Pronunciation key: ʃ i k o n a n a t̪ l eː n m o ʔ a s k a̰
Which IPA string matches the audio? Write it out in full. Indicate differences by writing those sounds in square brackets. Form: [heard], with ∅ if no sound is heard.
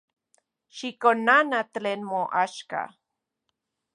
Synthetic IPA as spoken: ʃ i k o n a n a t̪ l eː n m o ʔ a [ʃ] k a̰